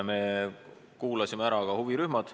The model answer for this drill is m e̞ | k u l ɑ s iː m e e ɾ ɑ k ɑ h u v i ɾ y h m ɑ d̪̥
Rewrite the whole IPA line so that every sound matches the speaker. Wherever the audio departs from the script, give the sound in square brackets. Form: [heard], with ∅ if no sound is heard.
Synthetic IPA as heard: m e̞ | k [uː] l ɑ s [i] m e [æ] ɾ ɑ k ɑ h u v i ɾ y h m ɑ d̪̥